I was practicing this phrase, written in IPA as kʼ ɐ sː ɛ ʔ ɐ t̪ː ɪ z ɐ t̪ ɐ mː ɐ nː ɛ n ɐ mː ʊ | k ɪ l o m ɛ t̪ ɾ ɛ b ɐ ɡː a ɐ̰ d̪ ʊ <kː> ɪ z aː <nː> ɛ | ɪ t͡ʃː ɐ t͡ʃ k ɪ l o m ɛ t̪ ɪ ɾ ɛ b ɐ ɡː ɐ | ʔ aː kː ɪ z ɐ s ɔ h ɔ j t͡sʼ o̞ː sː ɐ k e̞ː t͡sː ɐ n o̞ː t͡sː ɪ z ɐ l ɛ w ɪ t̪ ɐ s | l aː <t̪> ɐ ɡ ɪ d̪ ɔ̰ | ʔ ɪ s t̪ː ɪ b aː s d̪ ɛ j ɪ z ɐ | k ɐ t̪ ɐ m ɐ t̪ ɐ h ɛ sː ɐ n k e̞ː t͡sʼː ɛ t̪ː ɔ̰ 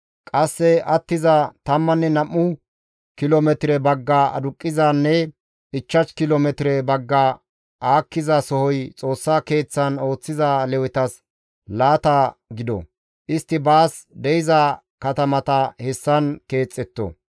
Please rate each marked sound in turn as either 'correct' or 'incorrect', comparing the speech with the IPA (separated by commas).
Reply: incorrect, correct, correct